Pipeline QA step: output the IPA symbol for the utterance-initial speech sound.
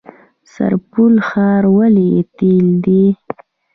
s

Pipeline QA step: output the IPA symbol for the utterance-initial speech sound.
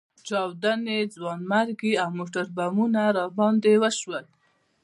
t͡ʃ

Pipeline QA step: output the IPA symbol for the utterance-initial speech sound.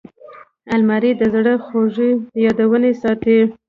a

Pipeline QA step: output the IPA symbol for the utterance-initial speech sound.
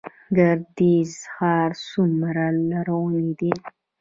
ɡ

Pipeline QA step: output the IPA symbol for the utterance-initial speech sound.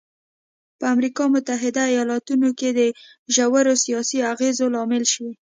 p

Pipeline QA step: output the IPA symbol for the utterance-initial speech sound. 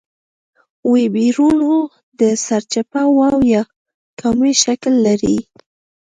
w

